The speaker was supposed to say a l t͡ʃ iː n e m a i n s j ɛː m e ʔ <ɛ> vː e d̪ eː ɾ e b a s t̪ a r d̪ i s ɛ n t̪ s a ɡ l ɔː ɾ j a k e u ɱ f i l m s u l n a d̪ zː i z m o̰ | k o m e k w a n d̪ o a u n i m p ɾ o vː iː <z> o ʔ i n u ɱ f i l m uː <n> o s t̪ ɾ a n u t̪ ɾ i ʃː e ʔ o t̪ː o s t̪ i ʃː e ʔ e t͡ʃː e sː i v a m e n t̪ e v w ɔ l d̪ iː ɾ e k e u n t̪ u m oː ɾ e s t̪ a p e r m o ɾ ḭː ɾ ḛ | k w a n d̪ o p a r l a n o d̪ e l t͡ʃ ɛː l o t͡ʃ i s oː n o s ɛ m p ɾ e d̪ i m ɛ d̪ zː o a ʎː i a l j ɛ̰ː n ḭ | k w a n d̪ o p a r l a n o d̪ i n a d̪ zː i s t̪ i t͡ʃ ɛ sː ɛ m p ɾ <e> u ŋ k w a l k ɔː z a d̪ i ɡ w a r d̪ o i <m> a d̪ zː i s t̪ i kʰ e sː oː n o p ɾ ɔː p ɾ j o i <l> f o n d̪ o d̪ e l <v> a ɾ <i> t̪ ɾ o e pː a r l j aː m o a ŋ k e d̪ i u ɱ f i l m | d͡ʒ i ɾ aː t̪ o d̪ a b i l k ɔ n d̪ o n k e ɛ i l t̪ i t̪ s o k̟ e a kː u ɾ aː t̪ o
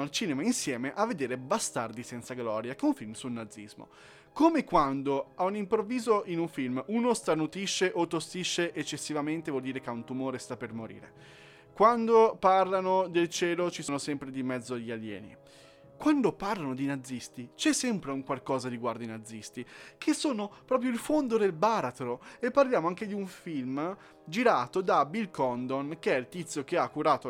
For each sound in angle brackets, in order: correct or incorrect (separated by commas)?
incorrect, correct, correct, correct, incorrect, correct, incorrect, incorrect